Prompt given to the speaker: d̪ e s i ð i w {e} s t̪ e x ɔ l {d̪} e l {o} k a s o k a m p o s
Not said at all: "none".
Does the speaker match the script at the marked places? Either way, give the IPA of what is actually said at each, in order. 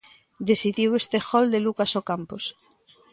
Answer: e, d̪, u

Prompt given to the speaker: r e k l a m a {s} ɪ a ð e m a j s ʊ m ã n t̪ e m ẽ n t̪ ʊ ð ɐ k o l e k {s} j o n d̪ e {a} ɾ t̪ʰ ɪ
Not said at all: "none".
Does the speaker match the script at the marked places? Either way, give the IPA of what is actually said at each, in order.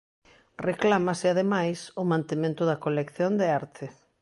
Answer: s, θ, a

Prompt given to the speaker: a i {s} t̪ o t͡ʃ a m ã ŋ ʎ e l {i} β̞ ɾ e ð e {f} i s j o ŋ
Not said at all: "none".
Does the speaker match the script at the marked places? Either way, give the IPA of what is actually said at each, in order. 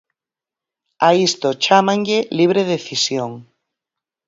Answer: s, i, θ

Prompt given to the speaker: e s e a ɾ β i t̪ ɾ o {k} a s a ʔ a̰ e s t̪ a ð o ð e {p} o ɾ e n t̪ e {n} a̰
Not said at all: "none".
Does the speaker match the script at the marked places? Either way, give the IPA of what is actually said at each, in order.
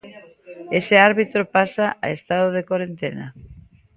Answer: p, k, n

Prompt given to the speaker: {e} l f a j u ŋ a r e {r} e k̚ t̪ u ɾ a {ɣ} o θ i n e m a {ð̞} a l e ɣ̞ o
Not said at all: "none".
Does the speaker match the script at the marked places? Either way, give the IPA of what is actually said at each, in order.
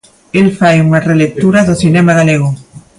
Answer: e, l, ð, ɣ̞

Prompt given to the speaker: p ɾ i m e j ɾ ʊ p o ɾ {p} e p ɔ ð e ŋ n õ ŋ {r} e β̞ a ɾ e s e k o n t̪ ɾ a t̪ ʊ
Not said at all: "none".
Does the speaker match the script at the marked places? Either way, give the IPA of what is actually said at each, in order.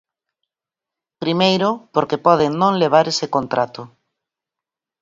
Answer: k, l

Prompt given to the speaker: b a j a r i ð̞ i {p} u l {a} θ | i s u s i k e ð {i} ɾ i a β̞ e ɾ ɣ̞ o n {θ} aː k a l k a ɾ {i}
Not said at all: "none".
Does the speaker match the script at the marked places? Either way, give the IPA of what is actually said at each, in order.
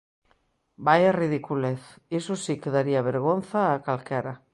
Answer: k, e, a, θ, a

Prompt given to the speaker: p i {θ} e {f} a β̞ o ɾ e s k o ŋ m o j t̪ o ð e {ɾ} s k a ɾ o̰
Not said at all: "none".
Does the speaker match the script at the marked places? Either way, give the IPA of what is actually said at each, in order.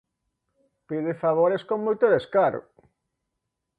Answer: ð, f, none

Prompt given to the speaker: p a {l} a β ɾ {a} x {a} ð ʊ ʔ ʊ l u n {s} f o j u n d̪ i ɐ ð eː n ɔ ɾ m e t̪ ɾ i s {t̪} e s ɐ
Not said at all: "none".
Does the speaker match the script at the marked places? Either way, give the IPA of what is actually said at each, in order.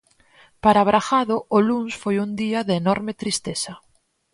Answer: ɾ, a, a, s, t̪

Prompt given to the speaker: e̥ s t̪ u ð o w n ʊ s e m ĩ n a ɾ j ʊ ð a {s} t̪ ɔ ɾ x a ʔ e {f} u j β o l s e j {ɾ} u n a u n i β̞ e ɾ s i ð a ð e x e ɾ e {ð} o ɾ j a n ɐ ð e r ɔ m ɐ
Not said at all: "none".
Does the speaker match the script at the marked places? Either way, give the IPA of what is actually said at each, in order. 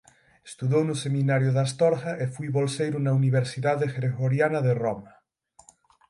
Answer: s, f, ɾ, ɣ

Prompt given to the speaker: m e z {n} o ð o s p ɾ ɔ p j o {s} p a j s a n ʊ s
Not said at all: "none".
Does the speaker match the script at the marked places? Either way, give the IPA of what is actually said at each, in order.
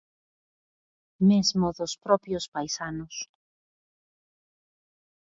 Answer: m, s

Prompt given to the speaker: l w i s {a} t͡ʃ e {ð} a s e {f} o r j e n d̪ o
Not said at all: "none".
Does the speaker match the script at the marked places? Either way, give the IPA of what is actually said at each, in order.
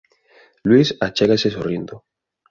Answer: a, ɣ, s

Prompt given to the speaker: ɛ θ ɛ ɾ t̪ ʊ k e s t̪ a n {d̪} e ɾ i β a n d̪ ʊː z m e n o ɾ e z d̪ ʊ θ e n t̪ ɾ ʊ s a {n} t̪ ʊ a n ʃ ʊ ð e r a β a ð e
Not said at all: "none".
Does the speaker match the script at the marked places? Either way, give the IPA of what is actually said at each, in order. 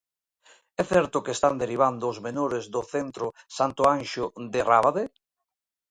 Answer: d̪, n

